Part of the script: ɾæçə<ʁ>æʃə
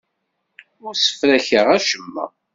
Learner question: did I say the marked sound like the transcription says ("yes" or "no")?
yes